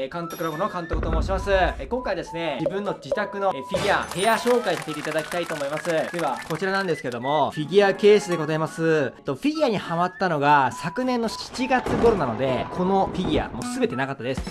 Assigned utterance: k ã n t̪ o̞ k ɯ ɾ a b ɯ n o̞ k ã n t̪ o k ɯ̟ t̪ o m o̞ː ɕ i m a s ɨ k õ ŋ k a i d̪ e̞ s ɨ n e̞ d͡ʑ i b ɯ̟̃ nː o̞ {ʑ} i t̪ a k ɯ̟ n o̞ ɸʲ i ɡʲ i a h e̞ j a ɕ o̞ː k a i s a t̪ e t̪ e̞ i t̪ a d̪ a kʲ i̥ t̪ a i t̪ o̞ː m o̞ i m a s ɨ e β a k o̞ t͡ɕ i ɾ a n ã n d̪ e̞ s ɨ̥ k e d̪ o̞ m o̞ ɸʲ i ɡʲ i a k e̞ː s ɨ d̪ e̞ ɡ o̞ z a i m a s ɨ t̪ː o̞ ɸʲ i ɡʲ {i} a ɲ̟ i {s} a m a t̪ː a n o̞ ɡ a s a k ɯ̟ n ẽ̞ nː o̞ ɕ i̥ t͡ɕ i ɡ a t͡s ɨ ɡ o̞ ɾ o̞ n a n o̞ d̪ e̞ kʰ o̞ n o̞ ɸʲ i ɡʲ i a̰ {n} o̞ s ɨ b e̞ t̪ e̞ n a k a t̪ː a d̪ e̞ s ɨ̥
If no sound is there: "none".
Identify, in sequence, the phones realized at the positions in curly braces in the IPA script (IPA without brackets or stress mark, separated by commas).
d͡ʑ, i, h, m